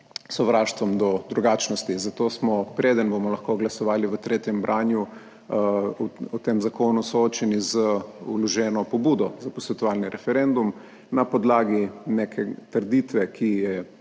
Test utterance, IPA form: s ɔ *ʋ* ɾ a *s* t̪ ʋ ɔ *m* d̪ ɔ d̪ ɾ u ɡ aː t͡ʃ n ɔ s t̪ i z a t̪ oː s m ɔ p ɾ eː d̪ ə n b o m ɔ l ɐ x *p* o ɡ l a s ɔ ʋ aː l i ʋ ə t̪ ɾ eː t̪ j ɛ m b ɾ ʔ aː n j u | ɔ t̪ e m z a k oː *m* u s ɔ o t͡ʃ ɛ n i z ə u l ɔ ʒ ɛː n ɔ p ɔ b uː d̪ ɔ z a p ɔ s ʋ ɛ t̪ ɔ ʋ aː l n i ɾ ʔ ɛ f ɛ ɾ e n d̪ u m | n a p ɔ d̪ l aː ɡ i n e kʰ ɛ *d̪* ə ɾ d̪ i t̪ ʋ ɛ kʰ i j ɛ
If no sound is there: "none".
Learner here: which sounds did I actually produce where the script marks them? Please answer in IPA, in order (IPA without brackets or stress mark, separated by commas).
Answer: ʋ, ʃ, m, k, n, t̪